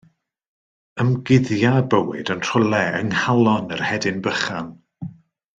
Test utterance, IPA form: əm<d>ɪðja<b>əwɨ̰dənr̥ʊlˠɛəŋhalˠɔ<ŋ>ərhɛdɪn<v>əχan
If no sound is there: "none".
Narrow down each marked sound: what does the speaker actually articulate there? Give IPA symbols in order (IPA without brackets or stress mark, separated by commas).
ɡ, b, n, b